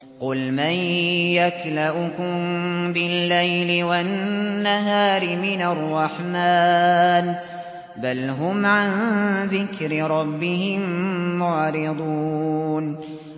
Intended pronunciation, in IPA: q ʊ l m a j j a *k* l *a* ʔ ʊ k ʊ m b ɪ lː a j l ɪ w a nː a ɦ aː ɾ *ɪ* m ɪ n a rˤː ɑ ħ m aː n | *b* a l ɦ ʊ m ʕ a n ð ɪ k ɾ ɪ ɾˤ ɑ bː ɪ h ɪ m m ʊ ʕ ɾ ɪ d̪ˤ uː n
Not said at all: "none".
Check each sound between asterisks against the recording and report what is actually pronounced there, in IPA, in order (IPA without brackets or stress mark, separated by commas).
k, a, ɪ, b